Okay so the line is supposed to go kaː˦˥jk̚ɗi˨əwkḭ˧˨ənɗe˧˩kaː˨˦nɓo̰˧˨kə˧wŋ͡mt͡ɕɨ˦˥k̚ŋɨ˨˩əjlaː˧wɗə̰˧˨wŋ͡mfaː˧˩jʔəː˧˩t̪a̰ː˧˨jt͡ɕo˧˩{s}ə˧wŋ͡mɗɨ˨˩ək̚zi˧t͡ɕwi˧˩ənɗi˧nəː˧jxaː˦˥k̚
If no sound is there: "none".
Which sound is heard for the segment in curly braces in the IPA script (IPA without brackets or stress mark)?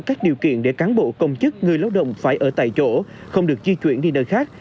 x